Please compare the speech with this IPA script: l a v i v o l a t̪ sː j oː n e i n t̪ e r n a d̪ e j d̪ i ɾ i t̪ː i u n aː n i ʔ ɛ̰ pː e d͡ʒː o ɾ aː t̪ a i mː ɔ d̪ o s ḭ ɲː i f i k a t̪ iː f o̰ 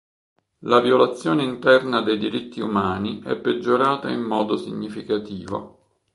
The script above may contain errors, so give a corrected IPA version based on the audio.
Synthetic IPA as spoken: l a v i o l a t̪ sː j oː n e i n t̪ ɛ r n a d̪ e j d̪ i ɾ i t̪ː i u m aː n i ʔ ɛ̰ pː e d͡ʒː o ɾ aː t̪ a i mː ɔː d̪ o s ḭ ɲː i f i k a t̪ iː v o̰